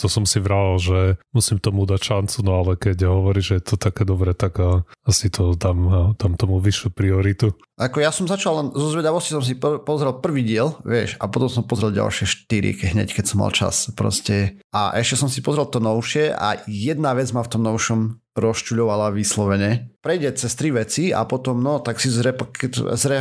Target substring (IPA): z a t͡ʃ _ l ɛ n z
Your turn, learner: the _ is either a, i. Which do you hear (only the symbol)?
a